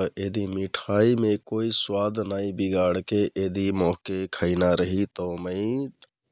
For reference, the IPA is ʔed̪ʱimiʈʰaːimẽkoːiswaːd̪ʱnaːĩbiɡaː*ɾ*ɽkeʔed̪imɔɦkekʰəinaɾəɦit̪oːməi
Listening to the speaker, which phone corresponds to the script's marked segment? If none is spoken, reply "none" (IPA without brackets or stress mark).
none